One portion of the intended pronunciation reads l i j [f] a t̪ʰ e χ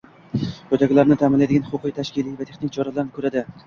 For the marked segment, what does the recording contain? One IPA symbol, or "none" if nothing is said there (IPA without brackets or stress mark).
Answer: v